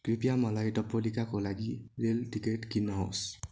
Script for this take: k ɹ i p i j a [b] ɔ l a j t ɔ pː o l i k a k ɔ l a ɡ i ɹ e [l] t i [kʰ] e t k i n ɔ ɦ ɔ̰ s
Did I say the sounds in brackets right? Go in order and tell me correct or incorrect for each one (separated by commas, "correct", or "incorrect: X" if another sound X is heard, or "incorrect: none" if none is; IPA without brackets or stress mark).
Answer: incorrect: m, correct, incorrect: k